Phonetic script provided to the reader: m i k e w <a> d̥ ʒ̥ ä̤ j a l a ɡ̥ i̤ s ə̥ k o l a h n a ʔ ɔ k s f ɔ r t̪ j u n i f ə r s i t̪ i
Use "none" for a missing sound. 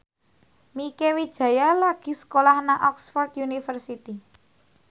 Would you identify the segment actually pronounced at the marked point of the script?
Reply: i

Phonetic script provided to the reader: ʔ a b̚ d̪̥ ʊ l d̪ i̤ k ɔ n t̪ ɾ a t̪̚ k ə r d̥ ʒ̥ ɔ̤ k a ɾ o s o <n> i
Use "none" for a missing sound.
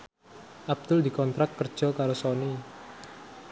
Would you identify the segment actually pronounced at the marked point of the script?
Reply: n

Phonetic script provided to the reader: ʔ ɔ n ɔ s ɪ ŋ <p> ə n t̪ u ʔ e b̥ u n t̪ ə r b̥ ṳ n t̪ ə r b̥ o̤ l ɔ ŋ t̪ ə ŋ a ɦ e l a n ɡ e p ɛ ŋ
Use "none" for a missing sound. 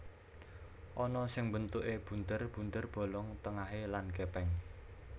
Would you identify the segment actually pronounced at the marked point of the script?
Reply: b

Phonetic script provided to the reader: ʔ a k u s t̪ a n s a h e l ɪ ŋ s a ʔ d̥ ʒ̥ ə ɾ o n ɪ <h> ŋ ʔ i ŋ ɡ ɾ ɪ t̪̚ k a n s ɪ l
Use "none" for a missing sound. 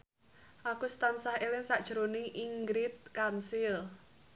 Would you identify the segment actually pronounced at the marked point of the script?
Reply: none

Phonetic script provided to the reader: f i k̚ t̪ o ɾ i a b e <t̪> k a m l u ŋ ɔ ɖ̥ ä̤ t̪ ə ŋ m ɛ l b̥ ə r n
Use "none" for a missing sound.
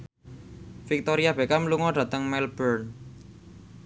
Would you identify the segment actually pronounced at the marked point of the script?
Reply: none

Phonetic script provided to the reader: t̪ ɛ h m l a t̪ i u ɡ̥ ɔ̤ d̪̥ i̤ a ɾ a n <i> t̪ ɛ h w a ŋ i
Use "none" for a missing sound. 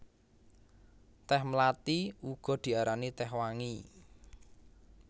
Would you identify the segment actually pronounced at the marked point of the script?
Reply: i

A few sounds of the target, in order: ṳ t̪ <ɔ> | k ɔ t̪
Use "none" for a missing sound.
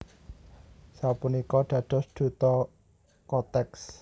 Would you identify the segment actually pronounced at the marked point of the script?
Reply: ɔ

